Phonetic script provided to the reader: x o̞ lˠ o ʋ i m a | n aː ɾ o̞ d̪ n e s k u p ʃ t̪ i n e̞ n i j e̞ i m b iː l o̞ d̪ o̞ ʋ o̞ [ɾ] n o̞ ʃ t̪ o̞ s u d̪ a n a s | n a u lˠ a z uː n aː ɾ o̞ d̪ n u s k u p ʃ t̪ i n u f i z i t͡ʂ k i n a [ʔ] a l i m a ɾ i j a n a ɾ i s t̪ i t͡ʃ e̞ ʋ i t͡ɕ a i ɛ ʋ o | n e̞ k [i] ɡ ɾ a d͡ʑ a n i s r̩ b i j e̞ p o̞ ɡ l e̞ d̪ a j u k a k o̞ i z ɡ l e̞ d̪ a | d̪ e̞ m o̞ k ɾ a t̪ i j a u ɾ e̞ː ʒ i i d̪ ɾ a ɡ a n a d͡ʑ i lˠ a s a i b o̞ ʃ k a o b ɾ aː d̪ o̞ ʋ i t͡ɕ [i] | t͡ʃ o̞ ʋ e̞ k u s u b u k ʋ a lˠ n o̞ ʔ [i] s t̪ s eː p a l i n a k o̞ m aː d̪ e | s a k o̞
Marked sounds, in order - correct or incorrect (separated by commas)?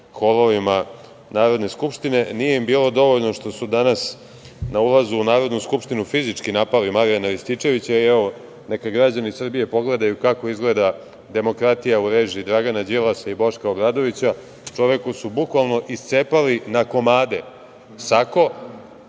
incorrect, incorrect, incorrect, incorrect, correct